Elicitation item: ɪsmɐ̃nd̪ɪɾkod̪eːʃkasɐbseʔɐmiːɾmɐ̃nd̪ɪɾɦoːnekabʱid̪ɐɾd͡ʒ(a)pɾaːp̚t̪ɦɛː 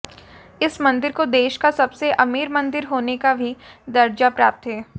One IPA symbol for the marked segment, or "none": a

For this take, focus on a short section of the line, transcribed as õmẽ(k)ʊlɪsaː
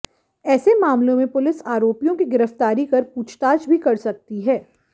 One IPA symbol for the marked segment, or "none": p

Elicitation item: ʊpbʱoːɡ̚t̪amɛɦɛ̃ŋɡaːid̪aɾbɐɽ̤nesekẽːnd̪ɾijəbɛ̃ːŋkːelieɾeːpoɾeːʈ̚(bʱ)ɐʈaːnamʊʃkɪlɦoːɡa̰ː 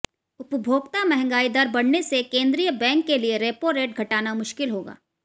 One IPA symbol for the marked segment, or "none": ɡʱ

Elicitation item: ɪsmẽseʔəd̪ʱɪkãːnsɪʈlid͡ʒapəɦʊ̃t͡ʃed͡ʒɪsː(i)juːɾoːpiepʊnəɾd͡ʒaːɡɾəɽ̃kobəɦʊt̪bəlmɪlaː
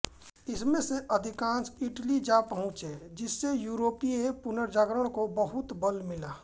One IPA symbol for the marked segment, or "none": e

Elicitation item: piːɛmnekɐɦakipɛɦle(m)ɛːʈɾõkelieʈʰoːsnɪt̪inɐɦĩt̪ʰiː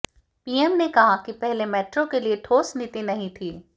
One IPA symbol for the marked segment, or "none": m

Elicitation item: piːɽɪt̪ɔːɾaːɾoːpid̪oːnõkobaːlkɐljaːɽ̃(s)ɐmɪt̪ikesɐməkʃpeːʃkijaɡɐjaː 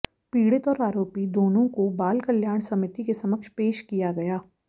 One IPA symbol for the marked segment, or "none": s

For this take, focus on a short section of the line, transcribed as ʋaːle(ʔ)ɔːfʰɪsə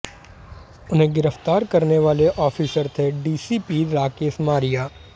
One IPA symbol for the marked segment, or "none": ʔ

